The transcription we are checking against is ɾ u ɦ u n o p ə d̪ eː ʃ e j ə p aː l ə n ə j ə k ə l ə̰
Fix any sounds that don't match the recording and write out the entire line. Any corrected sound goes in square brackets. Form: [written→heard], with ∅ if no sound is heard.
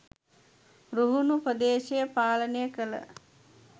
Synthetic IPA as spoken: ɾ u ɦ u n [o→u] p ə d̪ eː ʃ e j ə p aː l ə n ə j ə k ə l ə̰

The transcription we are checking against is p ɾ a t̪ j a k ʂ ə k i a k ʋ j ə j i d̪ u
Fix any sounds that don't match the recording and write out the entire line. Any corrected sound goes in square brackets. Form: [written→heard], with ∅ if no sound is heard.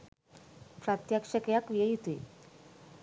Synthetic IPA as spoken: p ɾ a t̪ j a k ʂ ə k [i→j] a k ʋ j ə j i [d̪→t̪] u

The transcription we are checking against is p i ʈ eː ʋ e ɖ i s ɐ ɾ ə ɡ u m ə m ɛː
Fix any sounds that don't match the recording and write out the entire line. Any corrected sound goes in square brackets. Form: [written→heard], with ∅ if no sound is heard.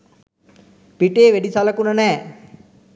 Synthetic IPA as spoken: p i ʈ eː ʋ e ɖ i s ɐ [ɾ→l] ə [ɡ→k] u [m→n] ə [m→n] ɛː

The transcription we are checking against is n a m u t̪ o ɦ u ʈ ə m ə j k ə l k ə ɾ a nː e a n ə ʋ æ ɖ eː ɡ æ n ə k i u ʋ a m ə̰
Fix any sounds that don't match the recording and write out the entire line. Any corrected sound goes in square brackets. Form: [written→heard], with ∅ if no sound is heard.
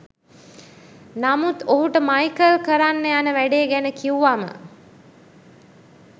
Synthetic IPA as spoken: n a m u t̪ o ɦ u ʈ ə m [ə→a] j k ə l k ə ɾ a nː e a n ə ʋ æ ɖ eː ɡ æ n ə k i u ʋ a m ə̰

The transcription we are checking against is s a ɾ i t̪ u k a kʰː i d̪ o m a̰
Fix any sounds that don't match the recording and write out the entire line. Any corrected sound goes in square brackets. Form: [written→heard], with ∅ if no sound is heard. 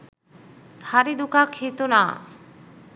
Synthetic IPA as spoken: [s→h] a ɾ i [t̪→d̪] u k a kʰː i [d̪→t̪] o [m→n] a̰

